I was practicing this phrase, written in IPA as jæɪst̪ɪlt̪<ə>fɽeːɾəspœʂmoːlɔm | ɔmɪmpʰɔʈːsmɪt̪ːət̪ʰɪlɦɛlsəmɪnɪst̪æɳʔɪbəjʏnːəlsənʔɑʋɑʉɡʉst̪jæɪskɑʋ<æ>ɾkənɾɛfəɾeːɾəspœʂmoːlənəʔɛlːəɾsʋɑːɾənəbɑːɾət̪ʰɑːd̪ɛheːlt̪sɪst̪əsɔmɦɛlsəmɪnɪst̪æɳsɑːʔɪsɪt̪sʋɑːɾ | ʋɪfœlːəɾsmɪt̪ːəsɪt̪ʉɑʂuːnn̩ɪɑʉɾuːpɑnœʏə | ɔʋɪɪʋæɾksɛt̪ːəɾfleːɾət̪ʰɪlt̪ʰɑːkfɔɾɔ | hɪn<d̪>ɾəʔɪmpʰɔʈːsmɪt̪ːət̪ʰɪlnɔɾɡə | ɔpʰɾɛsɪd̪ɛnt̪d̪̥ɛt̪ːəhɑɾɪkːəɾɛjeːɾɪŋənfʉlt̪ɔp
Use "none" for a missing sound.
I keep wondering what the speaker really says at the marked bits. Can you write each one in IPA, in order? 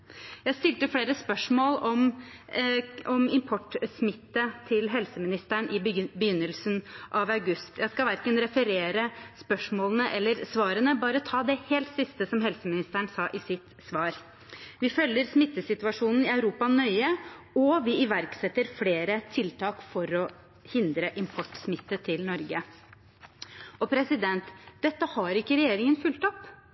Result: ə, æ, d̪

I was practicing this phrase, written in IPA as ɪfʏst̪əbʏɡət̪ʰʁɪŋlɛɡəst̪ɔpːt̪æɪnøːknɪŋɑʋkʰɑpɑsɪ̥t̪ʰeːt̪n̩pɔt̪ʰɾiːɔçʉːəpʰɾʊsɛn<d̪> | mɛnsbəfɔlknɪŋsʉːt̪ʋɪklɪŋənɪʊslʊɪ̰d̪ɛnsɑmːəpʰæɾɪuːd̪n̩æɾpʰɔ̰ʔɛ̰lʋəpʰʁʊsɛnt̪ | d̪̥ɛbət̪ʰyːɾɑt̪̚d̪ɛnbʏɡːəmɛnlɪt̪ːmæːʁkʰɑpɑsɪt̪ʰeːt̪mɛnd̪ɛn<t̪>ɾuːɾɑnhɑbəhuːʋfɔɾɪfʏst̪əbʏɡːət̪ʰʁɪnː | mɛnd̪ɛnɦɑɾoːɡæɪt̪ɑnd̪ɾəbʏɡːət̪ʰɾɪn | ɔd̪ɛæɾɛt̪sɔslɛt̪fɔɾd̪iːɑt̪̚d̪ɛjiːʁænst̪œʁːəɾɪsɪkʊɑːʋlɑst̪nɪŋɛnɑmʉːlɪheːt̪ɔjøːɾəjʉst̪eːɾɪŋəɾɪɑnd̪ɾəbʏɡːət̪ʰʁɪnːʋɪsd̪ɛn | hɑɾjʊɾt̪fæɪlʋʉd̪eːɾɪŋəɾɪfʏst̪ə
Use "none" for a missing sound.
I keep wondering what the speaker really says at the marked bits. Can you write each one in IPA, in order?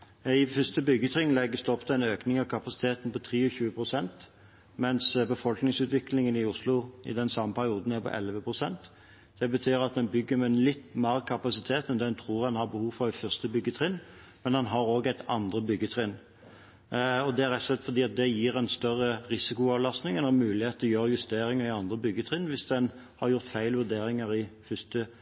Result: t̪, t̪ʰ

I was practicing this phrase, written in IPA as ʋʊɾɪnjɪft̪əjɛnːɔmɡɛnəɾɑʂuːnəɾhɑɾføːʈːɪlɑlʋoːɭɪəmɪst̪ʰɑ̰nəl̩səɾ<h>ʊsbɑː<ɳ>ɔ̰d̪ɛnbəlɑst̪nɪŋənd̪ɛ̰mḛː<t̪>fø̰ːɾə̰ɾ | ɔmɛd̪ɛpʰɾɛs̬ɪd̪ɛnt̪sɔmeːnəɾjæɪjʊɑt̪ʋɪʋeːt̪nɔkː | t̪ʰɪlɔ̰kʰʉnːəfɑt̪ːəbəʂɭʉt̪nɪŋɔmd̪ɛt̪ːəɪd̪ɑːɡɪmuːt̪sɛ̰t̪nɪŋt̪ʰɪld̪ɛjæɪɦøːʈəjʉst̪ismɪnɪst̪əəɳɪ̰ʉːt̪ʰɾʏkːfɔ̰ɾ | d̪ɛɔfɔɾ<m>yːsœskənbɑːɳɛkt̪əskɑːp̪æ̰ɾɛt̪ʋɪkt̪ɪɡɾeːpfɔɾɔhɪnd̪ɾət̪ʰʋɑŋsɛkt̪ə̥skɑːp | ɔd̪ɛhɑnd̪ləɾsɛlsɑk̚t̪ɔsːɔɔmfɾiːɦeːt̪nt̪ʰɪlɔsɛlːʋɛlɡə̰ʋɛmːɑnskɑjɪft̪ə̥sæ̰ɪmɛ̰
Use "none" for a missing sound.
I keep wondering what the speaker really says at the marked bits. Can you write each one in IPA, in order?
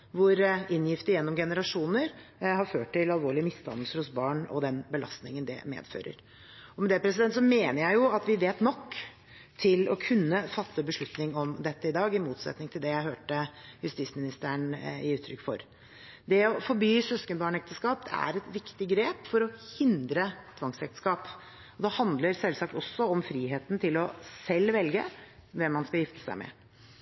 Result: h, ɳ, d̪, b

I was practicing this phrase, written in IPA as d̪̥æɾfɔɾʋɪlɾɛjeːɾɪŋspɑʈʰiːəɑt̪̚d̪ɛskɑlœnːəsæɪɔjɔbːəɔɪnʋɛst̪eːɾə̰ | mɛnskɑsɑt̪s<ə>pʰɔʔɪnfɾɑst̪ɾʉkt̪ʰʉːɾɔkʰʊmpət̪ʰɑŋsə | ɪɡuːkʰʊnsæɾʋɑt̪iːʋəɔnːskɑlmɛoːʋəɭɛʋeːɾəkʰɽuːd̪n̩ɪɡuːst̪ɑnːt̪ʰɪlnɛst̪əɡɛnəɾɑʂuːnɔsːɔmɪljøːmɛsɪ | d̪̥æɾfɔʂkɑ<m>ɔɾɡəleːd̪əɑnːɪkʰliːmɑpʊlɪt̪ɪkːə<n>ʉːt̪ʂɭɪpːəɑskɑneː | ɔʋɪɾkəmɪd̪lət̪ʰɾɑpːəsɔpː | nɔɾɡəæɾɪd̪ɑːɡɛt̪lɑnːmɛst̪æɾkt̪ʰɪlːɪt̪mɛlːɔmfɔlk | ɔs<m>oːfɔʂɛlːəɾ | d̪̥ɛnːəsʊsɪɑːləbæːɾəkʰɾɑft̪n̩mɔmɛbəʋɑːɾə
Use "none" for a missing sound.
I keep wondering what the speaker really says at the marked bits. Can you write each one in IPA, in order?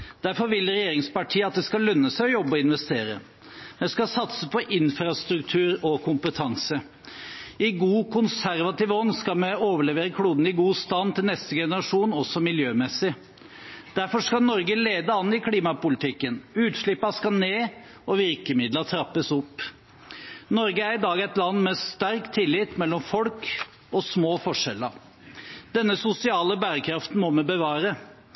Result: ə, n, n, m

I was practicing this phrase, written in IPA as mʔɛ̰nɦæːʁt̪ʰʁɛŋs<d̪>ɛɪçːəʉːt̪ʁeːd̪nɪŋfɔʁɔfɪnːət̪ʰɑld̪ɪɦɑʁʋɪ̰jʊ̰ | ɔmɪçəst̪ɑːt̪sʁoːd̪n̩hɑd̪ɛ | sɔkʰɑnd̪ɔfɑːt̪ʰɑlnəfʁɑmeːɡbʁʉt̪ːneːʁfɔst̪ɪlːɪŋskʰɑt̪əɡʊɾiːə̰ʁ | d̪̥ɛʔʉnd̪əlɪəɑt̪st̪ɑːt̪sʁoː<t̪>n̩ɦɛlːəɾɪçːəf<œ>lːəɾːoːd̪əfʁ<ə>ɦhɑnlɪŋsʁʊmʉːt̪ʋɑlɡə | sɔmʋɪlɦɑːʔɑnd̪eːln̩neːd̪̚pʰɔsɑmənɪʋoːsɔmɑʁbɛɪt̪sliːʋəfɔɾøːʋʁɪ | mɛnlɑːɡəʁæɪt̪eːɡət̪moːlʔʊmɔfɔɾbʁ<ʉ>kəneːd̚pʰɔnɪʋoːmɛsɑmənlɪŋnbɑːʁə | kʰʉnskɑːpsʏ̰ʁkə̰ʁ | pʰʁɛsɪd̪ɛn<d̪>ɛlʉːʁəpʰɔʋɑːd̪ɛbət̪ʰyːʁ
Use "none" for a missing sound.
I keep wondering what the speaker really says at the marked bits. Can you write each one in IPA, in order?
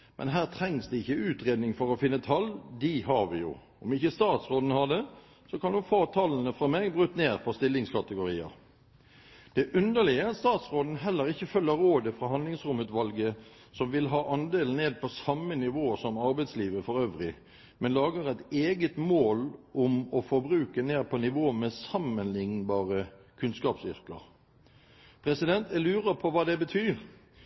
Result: d̪, d̪, œ, ɑ, ʉː, t̪

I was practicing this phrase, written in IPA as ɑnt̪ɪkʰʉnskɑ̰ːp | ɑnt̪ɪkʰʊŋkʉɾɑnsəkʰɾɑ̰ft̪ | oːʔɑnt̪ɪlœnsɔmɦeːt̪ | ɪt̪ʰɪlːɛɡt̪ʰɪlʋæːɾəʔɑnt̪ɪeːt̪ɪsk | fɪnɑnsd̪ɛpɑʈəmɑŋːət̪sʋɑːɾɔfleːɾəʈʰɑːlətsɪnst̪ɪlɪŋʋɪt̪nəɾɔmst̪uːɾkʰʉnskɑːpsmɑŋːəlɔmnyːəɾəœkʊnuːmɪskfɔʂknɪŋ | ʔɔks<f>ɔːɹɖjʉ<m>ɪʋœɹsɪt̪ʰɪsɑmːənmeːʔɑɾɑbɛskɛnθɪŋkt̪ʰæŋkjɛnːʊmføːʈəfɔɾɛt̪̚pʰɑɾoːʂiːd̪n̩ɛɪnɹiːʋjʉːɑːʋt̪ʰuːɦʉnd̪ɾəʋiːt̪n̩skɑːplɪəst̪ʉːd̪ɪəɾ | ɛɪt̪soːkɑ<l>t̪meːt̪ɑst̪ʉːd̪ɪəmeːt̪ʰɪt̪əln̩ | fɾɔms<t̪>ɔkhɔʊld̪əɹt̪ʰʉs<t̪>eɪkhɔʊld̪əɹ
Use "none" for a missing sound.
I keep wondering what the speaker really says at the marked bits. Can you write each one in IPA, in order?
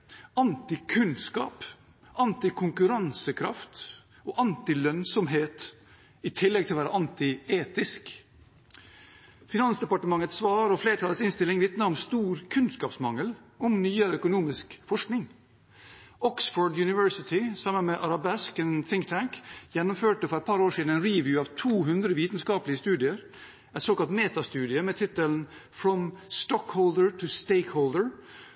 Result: f, n, l, t̪, t̪

